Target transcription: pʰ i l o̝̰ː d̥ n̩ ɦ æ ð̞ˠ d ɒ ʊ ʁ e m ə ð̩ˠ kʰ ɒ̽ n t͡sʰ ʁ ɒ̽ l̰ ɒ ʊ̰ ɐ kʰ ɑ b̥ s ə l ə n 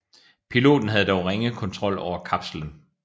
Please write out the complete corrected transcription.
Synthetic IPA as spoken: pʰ i l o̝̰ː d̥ n̩ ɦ æ ð̞ˠ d ɒ ʊ ʁ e ŋ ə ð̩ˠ kʰ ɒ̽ n t͡sʰ ʁ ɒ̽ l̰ ɒ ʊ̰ ɐ kʰ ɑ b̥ s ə l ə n